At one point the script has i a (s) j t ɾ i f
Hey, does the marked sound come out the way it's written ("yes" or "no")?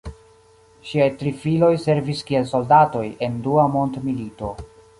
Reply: no